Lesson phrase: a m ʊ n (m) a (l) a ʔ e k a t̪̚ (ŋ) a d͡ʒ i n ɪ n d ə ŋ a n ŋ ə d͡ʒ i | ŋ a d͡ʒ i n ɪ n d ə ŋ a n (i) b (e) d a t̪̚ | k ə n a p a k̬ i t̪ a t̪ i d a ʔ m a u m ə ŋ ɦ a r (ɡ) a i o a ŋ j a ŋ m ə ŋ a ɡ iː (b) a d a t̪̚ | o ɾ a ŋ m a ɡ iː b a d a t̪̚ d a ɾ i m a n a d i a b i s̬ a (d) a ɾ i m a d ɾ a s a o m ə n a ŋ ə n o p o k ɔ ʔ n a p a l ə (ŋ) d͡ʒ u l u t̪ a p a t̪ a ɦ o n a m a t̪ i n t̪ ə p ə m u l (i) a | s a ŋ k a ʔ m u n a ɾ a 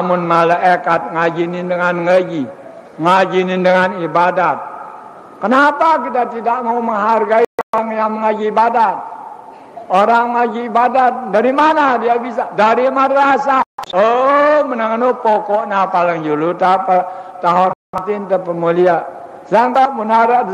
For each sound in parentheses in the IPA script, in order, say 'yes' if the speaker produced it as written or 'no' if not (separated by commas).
yes, yes, yes, yes, no, yes, yes, yes, yes, yes